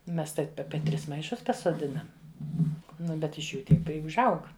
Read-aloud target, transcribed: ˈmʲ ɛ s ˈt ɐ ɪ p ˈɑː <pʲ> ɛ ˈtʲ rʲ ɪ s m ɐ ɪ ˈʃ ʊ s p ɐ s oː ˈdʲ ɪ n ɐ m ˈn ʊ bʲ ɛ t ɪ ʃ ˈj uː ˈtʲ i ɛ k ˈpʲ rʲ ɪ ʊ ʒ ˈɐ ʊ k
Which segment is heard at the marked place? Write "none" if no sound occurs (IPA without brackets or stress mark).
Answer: pʲ